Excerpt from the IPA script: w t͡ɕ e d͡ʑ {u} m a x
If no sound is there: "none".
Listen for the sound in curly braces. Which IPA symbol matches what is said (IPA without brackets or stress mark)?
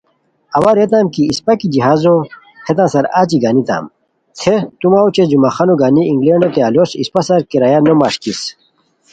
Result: u